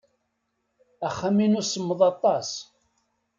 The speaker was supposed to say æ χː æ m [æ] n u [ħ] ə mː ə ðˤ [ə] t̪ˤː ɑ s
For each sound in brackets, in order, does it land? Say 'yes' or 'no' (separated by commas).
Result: no, no, no